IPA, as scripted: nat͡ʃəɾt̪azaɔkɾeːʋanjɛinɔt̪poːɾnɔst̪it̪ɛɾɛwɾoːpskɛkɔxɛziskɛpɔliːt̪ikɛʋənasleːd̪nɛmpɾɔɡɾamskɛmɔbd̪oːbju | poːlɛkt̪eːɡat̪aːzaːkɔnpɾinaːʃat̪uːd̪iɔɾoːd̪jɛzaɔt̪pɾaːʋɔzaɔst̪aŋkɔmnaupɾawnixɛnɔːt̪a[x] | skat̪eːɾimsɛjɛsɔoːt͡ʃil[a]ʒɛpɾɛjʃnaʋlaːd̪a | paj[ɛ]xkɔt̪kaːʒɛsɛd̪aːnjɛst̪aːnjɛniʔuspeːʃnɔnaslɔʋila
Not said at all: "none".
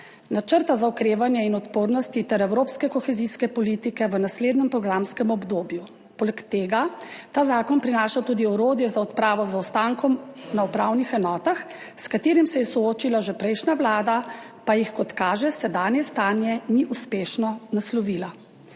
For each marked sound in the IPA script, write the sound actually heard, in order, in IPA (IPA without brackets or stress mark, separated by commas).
x, a, i